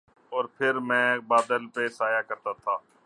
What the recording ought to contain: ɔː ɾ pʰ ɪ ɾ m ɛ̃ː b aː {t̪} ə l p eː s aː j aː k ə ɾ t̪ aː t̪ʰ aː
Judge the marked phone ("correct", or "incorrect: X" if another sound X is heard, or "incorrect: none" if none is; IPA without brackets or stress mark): incorrect: d̪